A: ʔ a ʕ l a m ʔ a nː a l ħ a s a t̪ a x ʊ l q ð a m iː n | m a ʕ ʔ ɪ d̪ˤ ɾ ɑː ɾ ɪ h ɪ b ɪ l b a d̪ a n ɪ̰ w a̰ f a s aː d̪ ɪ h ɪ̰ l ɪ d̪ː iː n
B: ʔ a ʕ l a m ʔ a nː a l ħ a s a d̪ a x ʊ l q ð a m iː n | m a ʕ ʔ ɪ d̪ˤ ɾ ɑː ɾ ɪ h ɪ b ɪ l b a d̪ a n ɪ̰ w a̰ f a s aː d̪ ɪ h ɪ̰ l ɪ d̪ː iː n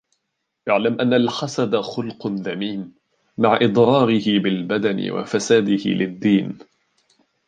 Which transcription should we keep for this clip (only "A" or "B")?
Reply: B